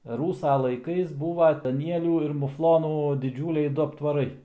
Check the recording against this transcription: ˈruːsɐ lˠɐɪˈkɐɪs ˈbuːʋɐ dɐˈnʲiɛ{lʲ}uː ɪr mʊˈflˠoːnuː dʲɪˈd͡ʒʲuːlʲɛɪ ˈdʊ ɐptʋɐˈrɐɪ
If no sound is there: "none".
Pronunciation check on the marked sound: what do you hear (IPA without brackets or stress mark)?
lʲ